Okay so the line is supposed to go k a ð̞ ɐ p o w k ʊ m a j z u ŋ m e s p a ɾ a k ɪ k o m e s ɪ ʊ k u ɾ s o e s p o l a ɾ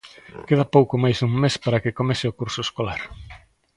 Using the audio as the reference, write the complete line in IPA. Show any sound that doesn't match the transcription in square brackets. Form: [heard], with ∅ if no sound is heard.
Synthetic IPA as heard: k [e] ð̞ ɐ p o w k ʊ m a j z u ŋ m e s p a ɾ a k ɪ k o m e s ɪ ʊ k u ɾ s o e s [k] o l a ɾ